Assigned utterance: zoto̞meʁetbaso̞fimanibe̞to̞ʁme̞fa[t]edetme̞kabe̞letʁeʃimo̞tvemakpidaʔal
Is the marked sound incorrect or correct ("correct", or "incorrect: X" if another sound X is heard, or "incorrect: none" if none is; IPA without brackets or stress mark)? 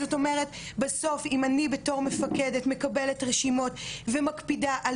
incorrect: k